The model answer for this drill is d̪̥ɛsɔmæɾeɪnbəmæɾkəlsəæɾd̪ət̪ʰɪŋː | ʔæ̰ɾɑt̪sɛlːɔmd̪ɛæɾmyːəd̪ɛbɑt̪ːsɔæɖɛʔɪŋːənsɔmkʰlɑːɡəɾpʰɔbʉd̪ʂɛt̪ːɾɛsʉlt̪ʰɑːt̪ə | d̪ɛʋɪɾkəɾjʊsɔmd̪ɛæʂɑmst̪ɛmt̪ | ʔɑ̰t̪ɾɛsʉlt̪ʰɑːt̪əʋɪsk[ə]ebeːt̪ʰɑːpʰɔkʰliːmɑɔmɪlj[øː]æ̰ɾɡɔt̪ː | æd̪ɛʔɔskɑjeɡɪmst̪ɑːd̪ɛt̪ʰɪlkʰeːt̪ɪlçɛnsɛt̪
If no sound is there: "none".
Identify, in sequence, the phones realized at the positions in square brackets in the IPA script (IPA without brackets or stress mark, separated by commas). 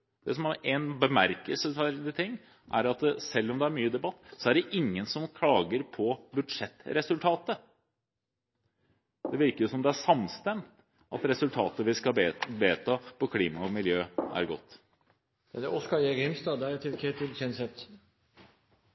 ɑ, øː